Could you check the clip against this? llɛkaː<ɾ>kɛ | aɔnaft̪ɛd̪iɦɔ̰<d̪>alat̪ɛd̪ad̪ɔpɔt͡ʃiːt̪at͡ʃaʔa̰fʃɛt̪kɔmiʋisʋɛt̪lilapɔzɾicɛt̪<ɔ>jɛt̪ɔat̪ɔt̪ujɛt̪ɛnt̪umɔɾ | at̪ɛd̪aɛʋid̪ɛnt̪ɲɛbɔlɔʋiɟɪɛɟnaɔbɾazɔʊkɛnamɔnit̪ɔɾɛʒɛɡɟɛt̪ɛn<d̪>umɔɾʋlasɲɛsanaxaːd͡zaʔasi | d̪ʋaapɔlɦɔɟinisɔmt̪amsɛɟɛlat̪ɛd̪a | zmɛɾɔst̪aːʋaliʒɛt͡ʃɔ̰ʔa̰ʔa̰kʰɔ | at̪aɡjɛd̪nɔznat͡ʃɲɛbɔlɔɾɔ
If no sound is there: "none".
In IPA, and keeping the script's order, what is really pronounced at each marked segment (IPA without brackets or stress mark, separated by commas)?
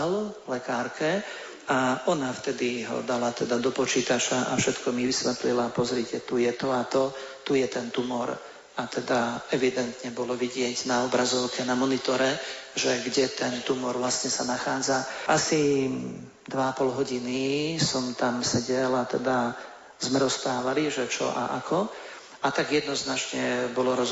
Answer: ɾ, d̪, u, t̪